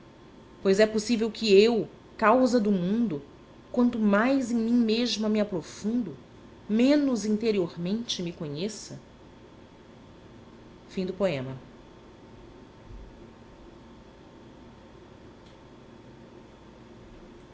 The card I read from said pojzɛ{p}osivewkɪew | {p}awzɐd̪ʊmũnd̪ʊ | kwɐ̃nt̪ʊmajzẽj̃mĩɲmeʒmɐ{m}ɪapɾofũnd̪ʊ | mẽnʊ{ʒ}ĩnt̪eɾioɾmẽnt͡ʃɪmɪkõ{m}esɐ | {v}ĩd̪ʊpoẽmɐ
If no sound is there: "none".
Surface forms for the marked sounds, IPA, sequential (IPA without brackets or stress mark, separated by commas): p, k, m, z, ɲ, f